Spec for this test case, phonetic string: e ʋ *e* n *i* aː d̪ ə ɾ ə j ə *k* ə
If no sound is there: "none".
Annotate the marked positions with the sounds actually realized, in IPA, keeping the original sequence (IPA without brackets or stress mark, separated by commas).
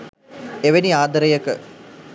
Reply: e, i, k